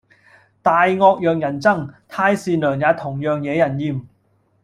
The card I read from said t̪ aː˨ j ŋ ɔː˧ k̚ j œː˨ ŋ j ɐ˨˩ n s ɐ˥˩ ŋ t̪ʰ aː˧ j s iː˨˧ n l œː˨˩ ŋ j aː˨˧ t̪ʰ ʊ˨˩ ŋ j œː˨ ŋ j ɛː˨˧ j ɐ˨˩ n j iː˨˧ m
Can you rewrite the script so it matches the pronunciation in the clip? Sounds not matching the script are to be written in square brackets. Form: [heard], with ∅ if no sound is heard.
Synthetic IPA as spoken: t̪ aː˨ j ŋ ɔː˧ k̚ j œː˨ ŋ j ɐ˨˩ n [t͡s] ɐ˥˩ ŋ t̪ʰ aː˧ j s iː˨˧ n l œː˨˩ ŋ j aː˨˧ t̪ʰ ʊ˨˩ ŋ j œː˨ ŋ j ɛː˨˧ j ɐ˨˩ n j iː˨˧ m